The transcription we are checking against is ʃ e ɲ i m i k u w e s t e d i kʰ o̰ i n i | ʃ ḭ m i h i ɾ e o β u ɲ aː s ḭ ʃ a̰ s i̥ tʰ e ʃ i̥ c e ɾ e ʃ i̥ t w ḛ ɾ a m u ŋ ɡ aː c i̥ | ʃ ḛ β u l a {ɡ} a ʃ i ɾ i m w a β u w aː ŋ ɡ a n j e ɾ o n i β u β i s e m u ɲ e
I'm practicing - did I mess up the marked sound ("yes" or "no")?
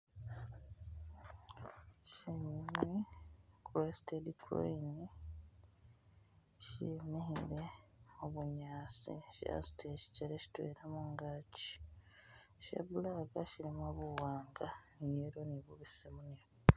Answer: no